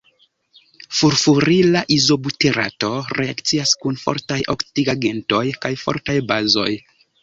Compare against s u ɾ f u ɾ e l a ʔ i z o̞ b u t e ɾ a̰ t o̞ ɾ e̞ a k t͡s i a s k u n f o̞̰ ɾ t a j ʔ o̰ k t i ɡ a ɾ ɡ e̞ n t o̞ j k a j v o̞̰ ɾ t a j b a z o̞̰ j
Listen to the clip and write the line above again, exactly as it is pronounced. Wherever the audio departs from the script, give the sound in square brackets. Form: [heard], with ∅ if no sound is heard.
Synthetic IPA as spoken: [f] u ɾ f u ɾ [i] l a ʔ i z o̞ b u t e ɾ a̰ t o̞ ɾ e̞ a k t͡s i a s k u n f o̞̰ ɾ t a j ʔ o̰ k t i ɡ a [∅] ɡ e̞ n t o̞ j k a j [f] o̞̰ ɾ t a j b a z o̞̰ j